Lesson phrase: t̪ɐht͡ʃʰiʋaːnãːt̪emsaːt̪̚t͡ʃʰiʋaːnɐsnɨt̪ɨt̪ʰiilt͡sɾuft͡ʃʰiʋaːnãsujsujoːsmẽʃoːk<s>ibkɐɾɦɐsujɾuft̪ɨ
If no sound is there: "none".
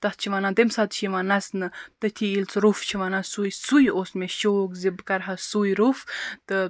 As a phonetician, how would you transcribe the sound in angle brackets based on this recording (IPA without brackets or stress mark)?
z